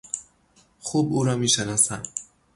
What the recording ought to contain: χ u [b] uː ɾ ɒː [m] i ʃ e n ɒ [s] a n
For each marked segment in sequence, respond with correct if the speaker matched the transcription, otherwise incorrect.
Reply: correct, correct, correct

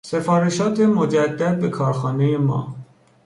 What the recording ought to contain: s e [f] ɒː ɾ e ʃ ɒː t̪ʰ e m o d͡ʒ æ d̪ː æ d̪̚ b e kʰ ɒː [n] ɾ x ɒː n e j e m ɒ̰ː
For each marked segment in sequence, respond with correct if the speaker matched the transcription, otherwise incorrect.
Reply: correct, incorrect

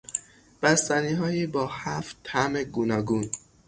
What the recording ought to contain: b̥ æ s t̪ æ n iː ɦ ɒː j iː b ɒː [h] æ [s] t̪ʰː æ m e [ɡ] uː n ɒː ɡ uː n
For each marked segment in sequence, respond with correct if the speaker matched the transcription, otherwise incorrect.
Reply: correct, incorrect, correct

